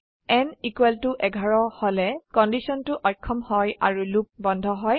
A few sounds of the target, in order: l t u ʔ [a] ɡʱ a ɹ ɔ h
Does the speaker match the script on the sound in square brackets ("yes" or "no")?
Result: no